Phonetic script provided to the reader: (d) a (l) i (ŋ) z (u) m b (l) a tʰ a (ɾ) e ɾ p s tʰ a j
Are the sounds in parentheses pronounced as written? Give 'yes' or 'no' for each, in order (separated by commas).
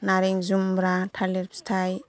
no, no, yes, yes, no, no